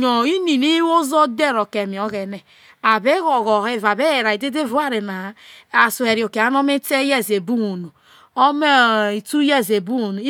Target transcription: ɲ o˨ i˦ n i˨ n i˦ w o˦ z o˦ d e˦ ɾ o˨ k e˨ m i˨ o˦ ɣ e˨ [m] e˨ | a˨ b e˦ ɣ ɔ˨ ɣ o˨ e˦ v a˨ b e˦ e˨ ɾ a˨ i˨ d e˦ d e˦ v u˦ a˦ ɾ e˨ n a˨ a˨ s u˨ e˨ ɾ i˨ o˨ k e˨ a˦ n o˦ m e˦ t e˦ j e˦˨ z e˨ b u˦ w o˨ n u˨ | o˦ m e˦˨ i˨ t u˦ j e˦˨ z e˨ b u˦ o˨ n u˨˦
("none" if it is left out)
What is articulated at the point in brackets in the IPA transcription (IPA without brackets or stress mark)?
n